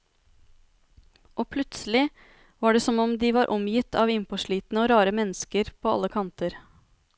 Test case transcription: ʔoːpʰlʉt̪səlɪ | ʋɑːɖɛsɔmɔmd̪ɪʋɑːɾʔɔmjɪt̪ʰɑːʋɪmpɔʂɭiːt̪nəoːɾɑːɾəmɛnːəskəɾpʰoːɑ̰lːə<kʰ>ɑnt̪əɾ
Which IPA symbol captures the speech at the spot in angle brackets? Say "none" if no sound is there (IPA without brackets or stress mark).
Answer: kʰ